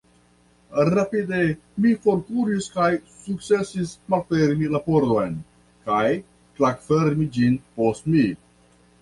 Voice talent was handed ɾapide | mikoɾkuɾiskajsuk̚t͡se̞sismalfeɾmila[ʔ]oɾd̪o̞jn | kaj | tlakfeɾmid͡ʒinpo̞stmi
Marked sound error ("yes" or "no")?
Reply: yes